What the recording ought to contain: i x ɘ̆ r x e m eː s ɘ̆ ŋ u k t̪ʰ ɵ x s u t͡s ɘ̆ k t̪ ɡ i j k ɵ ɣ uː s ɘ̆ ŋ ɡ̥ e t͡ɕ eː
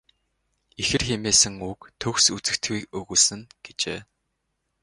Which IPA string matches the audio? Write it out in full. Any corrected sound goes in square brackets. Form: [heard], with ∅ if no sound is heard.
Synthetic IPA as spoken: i x ɘ̆ r x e m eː s ɘ̆ ŋ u k t̪ʰ ɵ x s u t͡s ɘ̆ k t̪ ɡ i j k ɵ ɣ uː s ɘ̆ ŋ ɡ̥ e t͡ɕ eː